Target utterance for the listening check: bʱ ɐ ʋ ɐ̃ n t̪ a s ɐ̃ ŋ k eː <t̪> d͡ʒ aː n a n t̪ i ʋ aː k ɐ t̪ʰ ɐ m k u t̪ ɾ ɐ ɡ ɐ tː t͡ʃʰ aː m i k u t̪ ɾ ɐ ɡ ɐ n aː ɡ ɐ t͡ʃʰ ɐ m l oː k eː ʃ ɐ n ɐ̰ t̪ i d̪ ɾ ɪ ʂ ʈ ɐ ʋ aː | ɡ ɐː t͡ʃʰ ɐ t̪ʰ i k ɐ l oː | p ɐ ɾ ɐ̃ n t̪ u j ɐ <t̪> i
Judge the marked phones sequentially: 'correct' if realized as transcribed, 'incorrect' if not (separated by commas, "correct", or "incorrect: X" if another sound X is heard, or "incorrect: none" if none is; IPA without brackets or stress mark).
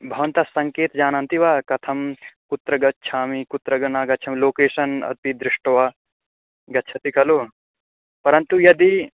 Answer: correct, incorrect: d̪